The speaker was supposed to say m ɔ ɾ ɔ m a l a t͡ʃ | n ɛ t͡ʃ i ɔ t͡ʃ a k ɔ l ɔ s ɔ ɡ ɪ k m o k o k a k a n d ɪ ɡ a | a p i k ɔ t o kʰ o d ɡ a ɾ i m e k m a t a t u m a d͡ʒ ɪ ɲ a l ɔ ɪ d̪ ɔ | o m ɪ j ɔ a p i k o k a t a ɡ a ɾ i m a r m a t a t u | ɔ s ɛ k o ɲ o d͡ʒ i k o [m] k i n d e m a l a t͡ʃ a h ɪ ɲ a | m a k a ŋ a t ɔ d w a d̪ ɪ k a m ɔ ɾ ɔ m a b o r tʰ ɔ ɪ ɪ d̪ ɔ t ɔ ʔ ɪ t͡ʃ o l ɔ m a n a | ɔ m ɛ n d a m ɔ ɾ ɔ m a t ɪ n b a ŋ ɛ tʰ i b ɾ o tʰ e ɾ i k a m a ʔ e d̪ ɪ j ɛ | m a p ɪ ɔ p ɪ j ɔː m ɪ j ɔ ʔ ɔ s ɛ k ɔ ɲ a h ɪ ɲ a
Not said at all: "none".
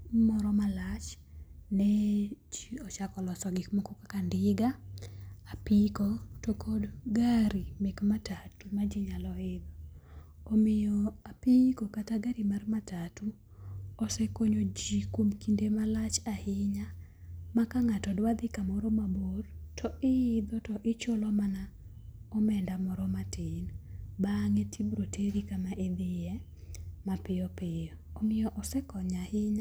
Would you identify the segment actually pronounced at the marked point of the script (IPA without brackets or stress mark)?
m